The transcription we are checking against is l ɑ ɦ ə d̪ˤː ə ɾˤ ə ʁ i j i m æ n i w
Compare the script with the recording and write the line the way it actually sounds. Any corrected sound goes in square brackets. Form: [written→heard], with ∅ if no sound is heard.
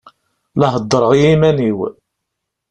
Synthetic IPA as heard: l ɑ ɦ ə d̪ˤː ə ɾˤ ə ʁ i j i m æ n i w